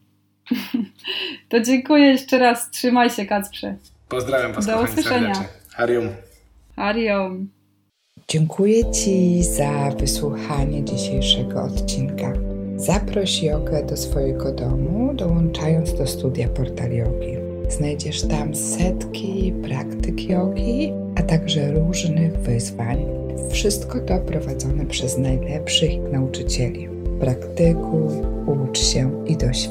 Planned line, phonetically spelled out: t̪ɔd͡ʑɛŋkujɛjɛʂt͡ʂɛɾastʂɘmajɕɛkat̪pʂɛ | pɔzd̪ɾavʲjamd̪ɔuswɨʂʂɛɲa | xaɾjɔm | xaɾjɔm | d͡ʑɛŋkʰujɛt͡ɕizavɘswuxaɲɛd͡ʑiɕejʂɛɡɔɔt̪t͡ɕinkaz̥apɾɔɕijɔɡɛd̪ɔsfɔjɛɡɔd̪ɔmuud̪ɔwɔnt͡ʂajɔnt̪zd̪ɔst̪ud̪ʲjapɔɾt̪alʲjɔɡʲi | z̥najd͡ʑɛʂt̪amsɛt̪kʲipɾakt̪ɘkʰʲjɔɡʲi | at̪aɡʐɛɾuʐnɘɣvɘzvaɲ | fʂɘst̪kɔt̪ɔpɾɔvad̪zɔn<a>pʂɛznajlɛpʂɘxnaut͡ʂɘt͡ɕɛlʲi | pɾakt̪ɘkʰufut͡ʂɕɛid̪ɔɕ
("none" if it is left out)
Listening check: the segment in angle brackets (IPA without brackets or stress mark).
ɛ